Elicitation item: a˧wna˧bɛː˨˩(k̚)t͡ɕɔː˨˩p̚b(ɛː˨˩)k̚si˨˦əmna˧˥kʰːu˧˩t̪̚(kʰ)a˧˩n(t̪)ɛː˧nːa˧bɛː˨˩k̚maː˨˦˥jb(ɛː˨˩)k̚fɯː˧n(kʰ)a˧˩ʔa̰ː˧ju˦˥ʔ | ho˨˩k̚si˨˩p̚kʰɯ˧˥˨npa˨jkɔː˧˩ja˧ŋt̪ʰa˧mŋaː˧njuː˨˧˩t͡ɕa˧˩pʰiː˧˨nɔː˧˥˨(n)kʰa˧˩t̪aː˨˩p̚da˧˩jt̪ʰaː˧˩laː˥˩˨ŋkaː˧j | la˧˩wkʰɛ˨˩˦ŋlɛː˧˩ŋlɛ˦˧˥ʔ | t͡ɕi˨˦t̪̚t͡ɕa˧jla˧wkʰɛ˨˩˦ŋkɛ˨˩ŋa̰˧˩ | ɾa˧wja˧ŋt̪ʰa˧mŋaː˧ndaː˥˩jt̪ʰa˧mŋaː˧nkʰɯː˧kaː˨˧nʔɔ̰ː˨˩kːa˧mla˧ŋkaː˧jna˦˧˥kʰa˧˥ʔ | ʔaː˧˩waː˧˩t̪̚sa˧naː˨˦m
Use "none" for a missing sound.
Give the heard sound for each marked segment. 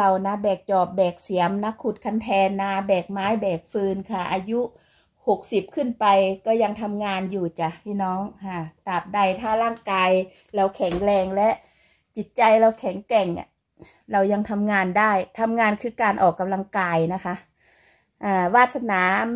k̚, ɛː˨˩, kʰ, t̪ʰ, ɛː˨˩, kʰ, ŋ

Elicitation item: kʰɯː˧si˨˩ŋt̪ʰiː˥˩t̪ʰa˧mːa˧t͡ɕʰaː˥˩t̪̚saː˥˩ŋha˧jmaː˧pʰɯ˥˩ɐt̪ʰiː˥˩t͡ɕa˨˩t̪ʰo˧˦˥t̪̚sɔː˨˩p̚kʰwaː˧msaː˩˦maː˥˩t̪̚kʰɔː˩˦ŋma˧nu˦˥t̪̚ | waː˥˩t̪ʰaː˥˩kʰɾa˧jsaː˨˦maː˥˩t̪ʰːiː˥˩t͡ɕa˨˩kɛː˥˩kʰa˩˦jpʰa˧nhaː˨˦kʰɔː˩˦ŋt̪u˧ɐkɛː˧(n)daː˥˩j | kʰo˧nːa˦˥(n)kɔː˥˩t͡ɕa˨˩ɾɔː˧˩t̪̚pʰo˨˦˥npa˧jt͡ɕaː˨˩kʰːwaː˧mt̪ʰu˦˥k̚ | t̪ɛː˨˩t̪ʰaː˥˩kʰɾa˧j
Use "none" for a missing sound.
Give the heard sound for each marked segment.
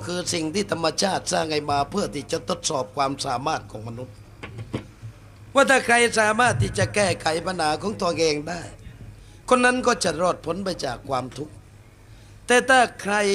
ŋ, n

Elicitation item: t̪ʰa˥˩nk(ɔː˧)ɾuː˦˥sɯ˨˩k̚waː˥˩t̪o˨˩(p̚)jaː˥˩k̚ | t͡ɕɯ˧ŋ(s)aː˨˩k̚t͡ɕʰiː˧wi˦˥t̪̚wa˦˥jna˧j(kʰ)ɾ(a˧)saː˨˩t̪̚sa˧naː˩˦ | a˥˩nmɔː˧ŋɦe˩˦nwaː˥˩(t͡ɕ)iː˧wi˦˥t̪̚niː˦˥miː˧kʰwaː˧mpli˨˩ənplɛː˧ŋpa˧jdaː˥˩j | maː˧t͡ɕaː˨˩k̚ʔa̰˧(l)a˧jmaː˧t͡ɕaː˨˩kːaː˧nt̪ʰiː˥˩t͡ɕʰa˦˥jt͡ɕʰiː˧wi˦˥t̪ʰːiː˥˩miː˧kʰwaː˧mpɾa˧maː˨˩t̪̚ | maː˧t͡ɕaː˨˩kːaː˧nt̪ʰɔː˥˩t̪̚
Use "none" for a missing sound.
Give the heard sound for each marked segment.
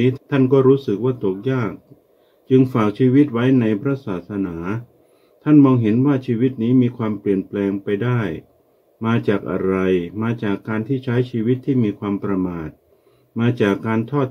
ɔː˥˩, k̚, f, pʰ, a˦˥, t͡ɕʰ, ɾ

